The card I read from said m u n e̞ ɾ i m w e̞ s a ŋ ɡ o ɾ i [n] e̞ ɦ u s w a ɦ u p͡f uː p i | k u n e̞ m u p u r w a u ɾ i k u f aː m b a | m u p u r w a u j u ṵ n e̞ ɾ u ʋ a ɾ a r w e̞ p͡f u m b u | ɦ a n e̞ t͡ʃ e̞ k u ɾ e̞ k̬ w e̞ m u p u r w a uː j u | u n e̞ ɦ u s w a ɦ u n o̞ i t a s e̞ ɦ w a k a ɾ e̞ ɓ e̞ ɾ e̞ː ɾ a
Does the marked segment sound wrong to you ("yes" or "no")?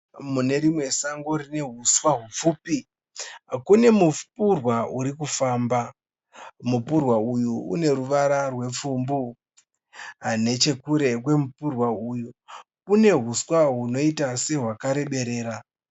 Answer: no